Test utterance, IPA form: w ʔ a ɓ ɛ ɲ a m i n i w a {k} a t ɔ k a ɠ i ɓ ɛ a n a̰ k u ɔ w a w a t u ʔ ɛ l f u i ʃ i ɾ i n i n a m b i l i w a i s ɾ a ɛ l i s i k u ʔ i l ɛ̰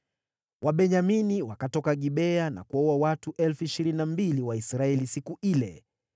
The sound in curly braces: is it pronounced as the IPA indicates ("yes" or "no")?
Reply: yes